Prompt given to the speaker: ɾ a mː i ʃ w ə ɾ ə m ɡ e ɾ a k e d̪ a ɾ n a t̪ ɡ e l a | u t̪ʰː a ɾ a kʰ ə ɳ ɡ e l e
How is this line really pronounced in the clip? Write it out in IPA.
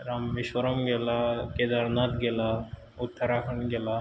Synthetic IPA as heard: ɾ a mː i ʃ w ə ɾ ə m ɡ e l a k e d̪ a ɾ n a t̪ ɡ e l a | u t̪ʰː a ɾ a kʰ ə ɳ ɡ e l a